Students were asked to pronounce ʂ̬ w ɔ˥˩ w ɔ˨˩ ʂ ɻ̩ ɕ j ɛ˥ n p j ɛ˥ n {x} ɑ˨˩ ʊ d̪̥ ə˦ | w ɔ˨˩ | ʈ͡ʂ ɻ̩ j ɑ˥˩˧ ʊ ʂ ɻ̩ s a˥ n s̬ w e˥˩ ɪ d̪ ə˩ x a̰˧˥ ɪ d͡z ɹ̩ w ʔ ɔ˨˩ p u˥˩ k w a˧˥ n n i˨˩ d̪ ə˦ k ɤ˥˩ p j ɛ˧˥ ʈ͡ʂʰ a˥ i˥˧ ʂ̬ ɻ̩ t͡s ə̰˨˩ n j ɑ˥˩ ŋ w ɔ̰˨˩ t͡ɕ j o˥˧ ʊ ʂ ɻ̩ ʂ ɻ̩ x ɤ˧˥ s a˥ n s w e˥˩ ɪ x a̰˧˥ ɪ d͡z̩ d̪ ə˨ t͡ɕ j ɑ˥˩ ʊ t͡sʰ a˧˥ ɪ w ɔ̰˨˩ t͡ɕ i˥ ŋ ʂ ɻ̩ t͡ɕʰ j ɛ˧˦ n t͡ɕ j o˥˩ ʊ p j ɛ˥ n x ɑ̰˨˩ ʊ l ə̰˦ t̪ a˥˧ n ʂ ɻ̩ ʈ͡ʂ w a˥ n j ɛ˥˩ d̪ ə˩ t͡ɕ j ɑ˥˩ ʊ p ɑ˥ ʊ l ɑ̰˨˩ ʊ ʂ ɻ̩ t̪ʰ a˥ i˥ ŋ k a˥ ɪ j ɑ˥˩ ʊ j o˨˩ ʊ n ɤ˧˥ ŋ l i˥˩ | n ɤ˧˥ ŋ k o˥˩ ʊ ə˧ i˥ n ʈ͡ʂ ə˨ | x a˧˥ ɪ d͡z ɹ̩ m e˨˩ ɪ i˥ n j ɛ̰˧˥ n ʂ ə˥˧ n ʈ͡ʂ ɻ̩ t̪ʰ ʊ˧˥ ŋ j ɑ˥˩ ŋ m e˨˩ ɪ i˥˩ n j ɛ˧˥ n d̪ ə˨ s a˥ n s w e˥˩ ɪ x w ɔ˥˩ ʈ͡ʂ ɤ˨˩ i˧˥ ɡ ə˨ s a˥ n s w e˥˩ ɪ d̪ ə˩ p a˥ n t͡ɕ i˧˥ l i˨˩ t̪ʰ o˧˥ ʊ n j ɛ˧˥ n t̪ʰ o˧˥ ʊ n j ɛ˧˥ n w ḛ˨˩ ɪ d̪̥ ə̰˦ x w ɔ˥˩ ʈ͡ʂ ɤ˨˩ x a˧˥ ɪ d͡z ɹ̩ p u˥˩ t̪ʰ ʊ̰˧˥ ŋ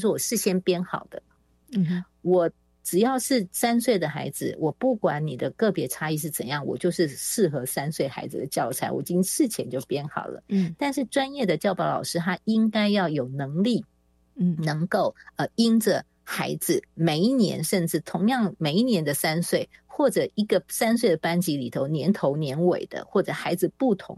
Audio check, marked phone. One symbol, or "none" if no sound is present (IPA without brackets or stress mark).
x